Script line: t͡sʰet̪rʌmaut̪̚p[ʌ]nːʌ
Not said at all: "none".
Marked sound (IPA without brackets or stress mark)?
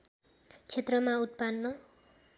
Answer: a